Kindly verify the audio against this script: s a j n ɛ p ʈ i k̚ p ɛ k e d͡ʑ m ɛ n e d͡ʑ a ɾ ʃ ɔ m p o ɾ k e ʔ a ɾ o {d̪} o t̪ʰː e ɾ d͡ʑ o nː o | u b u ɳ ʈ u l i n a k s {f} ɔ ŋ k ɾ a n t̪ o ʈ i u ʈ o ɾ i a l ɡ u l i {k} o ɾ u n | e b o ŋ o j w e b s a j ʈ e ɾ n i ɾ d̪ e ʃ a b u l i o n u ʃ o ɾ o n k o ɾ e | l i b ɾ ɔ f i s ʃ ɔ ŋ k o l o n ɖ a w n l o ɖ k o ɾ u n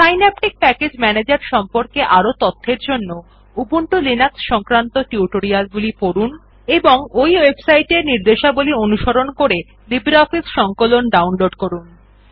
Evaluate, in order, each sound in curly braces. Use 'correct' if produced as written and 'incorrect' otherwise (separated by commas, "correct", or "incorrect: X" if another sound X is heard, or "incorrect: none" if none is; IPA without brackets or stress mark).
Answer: incorrect: t̪, incorrect: ʃ, incorrect: p